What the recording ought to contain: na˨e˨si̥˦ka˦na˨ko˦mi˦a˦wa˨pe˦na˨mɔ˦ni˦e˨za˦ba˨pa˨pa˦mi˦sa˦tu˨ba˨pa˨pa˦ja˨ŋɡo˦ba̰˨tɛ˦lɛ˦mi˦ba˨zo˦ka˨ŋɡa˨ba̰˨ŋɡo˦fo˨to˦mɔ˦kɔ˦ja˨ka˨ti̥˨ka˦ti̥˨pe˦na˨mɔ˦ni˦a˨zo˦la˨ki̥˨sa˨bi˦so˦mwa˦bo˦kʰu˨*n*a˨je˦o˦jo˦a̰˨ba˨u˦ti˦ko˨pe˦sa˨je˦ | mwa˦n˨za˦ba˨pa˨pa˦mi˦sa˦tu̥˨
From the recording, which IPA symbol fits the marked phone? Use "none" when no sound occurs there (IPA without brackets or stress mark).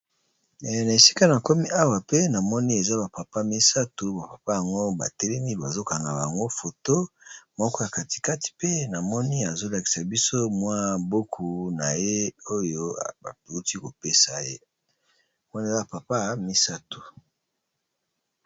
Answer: n